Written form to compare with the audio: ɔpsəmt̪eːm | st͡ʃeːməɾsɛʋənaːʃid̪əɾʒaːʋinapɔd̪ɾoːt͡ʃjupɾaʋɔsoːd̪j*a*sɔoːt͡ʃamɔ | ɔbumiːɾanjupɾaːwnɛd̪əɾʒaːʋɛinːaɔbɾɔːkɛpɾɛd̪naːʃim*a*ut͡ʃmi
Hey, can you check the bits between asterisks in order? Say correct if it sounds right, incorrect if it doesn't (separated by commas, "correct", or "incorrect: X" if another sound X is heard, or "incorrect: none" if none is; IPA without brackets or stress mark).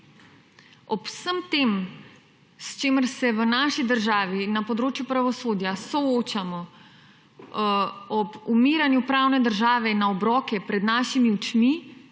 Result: correct, incorrect: i